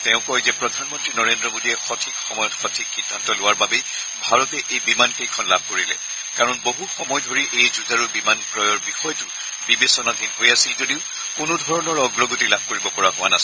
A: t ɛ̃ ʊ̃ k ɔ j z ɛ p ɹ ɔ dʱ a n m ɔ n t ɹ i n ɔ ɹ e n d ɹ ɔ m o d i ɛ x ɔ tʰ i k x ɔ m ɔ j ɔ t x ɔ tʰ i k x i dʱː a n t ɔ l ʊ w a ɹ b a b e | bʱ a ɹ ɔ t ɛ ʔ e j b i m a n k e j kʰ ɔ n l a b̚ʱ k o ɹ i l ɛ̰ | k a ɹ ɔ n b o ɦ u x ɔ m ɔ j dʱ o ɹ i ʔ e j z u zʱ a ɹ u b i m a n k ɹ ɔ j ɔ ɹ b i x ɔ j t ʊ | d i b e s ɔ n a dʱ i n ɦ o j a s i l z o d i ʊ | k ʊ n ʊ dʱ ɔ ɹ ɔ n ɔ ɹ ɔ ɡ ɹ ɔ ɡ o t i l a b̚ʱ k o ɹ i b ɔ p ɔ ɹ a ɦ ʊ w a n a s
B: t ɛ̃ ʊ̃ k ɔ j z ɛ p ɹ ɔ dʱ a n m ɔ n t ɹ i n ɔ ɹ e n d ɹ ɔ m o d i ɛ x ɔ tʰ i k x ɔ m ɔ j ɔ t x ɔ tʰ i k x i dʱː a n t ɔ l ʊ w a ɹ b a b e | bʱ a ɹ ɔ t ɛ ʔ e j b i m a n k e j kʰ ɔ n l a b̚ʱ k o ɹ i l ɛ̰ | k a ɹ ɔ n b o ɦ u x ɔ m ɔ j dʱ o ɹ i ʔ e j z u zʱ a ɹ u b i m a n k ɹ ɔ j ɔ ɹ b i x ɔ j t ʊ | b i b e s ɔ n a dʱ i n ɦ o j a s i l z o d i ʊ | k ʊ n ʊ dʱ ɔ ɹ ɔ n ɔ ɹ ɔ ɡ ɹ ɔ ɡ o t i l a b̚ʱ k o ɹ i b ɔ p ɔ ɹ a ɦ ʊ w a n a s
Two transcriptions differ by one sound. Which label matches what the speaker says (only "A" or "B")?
B